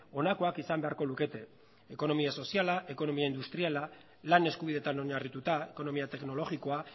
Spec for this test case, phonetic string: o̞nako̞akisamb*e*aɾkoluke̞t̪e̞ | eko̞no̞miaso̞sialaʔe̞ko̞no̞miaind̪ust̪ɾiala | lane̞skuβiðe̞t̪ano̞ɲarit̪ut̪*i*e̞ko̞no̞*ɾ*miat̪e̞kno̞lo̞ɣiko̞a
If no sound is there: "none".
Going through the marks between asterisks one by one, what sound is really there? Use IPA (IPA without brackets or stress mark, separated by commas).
e, a, none